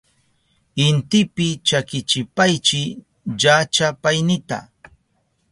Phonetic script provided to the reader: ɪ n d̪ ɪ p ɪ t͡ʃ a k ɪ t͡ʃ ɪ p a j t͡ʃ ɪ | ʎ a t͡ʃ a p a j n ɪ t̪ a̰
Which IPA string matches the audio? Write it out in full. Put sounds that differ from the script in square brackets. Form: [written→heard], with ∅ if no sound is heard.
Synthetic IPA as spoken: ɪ n [d̪→t̪] ɪ p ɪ t͡ʃ a k ɪ t͡ʃ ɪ p a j t͡ʃ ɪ | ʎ a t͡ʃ a p a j n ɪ t̪ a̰